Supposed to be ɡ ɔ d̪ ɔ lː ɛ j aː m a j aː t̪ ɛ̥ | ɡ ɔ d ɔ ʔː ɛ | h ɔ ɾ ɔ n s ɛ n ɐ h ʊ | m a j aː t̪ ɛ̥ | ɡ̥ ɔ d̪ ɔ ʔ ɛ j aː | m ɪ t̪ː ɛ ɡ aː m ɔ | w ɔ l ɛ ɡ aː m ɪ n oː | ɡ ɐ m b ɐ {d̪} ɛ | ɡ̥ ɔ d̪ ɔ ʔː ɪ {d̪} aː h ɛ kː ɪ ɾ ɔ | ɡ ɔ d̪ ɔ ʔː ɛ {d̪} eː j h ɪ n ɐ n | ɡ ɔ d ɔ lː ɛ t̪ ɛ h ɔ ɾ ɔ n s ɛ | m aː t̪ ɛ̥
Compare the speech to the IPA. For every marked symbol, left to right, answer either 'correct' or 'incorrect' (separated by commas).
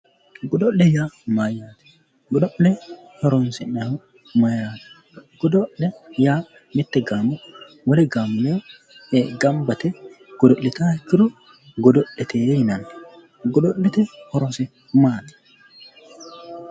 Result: incorrect, incorrect, incorrect